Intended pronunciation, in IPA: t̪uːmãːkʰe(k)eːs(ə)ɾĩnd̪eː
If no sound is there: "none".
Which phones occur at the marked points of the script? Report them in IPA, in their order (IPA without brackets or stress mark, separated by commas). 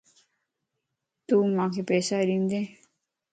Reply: p, a